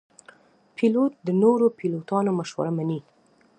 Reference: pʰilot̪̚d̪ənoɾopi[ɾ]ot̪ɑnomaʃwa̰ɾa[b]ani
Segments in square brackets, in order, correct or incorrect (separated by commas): incorrect, incorrect